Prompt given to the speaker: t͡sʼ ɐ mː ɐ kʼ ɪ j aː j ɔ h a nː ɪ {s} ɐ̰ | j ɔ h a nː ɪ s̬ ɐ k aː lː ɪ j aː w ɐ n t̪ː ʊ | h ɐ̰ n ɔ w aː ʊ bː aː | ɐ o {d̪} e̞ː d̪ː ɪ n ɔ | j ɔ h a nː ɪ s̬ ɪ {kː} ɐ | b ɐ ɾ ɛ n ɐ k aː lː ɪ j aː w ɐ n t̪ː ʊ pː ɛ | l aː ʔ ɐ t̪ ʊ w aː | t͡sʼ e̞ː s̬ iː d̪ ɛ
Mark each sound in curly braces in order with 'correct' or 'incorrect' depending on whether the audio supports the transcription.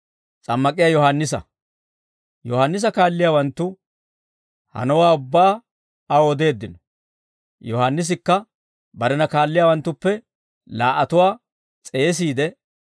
correct, correct, correct

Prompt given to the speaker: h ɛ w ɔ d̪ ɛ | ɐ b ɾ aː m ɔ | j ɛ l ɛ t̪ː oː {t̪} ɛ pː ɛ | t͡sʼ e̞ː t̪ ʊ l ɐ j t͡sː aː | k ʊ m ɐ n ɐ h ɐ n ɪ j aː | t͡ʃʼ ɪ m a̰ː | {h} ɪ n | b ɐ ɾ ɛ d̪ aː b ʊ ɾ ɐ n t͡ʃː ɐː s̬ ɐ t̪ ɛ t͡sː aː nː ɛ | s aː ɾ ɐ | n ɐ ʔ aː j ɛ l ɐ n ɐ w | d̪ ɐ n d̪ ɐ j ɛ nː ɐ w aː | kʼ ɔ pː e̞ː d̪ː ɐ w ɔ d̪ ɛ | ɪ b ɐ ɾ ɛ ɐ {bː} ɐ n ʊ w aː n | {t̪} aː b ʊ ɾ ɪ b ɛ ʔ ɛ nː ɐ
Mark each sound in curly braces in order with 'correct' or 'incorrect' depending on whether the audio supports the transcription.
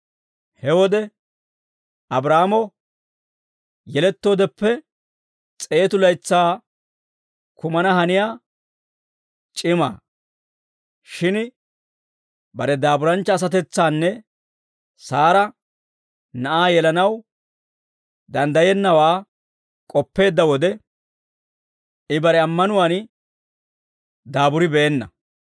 incorrect: d̪, incorrect: ʃ, incorrect: mː, incorrect: d̪

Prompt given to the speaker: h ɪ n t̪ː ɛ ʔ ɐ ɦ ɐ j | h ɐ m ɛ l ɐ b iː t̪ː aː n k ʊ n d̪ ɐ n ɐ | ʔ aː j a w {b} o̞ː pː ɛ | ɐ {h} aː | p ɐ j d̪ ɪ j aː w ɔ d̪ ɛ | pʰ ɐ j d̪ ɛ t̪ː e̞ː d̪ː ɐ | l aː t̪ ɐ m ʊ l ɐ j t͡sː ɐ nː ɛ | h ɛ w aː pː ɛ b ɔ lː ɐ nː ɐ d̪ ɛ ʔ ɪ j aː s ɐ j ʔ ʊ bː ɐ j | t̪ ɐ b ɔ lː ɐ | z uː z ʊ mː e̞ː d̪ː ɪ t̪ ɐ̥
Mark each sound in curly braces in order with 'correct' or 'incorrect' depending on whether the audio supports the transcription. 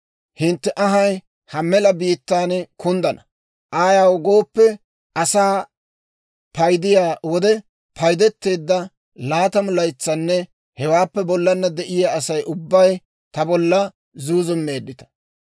incorrect: ɡ, incorrect: s

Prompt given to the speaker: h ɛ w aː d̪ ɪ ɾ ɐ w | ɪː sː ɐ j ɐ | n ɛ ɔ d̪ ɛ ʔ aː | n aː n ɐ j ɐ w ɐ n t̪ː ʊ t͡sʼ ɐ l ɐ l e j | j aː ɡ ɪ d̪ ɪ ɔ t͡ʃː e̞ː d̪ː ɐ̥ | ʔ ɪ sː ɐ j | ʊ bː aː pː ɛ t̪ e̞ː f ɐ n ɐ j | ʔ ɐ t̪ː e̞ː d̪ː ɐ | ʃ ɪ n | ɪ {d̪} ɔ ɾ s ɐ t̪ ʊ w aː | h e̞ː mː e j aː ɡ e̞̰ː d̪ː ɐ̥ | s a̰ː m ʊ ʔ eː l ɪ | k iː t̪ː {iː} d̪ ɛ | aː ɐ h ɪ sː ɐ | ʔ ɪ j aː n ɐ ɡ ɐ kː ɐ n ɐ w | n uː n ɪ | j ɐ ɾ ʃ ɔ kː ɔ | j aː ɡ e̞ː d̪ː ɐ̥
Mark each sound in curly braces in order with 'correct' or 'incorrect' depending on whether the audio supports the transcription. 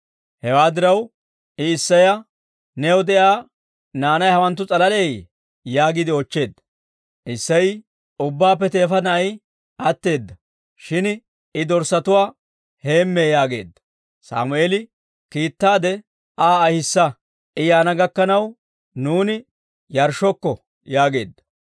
correct, incorrect: aː

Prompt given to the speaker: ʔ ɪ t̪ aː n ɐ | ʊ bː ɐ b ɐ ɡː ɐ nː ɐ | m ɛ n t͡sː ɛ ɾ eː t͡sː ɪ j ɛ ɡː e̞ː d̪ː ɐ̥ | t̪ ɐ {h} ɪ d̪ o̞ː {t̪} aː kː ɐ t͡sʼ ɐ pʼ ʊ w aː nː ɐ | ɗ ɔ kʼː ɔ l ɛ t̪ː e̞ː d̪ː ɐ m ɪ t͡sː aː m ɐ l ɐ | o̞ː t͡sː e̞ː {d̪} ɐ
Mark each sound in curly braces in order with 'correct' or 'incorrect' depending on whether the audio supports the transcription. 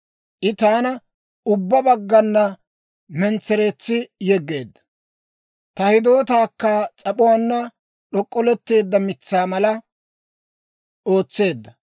correct, correct, incorrect: d̪ː

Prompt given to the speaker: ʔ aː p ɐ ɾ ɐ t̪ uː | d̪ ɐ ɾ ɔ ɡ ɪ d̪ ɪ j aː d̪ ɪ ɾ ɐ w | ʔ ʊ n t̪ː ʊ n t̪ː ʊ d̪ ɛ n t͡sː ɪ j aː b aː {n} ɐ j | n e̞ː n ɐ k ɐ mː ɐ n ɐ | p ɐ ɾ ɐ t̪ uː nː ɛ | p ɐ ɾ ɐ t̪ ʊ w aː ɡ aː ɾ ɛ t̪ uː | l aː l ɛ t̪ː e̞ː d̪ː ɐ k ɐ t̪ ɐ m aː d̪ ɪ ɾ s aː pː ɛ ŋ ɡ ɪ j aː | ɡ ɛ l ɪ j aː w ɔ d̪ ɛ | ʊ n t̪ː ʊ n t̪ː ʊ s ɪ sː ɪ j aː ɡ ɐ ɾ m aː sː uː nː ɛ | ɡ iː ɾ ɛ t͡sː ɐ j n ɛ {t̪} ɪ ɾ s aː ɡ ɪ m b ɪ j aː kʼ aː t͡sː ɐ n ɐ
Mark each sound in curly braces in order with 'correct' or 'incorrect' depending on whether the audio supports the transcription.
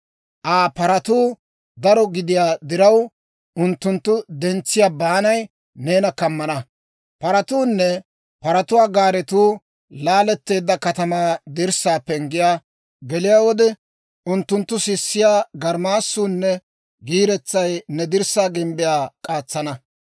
correct, incorrect: d̪

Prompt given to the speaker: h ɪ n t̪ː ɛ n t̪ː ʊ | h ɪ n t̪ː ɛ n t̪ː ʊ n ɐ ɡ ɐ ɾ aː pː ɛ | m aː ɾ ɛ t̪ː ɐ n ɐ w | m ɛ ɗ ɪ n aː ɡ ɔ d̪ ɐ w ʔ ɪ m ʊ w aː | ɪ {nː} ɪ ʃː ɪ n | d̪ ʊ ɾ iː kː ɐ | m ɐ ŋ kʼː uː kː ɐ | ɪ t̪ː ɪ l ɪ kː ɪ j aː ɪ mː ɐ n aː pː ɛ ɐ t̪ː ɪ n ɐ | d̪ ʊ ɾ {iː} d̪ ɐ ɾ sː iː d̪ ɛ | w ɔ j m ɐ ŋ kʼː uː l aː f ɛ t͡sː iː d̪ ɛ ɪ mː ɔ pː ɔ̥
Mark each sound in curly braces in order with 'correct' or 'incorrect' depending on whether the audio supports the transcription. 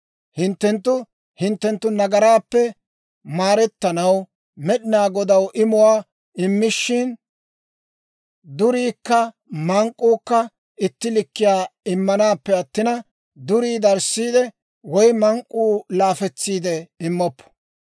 incorrect: mː, correct

